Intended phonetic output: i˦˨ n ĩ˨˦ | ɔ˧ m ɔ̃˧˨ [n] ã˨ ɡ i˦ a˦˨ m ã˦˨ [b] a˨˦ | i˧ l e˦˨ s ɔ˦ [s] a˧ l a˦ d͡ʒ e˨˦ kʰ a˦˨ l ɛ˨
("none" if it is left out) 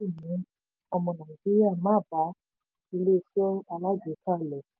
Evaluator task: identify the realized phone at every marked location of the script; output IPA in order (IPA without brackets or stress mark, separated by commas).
n, b, none